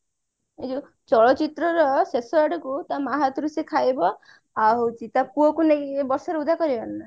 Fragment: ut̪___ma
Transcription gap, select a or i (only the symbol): a